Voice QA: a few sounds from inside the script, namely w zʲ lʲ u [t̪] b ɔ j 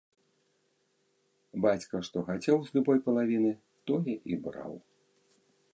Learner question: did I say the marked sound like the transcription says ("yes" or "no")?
no